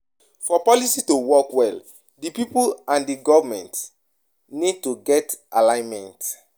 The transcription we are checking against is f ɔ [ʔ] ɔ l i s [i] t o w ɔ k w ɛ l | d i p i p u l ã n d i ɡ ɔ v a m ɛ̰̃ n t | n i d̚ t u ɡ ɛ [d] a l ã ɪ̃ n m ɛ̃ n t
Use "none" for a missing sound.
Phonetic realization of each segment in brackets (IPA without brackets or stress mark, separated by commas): p, i, t